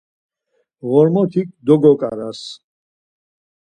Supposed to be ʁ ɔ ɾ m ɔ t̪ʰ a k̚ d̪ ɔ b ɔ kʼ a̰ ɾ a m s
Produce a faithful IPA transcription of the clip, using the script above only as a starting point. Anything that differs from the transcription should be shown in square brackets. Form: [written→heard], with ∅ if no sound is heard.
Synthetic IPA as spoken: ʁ ɔ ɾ m ɔ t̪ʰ [a→i] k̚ d̪ ɔ [b→ɡ] ɔ kʼ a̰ ɾ a [m→∅] s